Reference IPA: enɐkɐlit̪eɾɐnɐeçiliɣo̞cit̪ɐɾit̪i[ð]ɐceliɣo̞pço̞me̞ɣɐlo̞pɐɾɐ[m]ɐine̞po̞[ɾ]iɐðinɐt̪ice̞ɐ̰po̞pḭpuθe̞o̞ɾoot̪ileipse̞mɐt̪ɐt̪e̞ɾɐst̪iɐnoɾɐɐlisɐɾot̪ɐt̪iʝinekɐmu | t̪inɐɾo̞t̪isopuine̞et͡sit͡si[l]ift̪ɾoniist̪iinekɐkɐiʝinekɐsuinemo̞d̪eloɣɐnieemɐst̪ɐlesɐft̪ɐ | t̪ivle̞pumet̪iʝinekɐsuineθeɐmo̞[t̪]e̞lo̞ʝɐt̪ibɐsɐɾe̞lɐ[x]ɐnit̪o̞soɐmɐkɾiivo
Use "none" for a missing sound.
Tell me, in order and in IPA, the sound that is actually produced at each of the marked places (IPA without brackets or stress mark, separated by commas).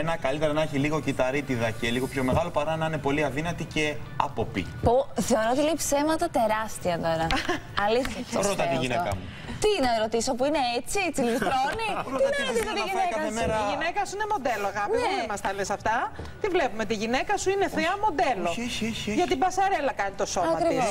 ð, n, l, l, d̪, k